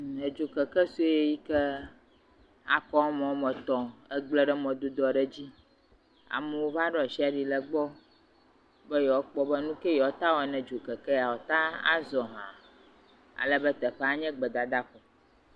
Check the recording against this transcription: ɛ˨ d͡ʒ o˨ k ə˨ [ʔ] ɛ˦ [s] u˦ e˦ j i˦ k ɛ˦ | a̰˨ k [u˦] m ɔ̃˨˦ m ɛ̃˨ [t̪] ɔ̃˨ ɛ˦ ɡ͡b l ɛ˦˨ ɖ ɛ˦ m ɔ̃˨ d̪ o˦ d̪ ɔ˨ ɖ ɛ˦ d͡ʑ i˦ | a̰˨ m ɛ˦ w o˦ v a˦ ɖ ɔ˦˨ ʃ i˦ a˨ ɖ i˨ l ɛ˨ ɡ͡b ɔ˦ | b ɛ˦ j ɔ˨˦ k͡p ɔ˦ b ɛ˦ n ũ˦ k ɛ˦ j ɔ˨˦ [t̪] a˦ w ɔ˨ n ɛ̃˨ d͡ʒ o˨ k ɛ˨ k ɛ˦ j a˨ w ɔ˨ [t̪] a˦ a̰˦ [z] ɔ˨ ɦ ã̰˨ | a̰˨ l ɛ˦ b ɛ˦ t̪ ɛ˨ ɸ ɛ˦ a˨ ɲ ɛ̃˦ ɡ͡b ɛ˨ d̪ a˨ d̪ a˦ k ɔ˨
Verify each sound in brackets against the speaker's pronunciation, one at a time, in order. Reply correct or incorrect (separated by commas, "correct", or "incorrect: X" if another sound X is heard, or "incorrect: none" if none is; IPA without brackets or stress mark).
incorrect: k, correct, incorrect: ɔ˦, correct, correct, correct, correct